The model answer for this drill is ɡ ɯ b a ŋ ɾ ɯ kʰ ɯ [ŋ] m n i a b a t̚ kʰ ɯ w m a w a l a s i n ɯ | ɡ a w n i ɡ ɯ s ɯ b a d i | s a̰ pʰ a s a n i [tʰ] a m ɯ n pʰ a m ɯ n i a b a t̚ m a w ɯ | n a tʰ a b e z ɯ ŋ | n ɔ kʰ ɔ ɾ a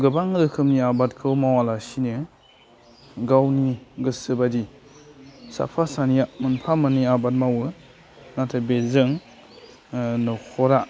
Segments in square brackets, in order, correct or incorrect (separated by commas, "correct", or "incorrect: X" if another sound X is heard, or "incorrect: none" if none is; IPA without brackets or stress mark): incorrect: none, incorrect: none